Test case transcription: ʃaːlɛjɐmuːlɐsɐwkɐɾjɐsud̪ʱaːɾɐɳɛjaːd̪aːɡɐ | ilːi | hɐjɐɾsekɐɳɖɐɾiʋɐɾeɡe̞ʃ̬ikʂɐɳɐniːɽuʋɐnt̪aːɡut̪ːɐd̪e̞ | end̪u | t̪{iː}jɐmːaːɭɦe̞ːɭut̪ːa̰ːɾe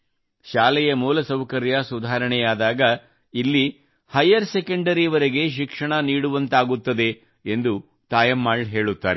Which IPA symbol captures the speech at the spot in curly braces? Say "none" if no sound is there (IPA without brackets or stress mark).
aː